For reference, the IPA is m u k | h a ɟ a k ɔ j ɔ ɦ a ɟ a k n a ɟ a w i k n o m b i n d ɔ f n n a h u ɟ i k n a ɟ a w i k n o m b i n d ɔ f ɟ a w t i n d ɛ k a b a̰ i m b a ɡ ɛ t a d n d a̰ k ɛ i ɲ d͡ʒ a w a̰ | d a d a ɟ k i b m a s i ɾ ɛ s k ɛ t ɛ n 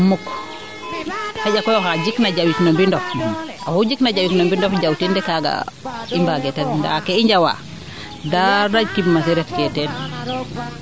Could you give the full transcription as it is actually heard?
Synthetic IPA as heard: m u k | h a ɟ a k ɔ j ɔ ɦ a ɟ i k n a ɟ a w i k n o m b i n d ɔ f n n a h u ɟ i k n a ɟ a w i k n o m b i n d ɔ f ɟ a w t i n d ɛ k a ɡ a̰ i m b a ɡ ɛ t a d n d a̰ k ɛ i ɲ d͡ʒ a w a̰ | d a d a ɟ k i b m a s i ɾ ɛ t k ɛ t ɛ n